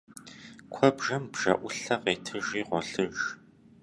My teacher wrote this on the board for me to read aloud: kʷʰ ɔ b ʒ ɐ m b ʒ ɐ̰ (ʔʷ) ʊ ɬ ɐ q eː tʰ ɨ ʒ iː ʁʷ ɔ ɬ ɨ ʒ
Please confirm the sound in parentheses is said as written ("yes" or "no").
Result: yes